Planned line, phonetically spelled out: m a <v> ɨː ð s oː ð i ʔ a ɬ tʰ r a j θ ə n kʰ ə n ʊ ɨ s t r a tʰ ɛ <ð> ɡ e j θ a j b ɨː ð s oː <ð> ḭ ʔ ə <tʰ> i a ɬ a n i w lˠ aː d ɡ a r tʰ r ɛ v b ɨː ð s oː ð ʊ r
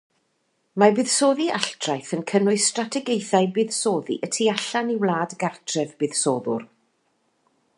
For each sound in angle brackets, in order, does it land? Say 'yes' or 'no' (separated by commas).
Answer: no, no, yes, yes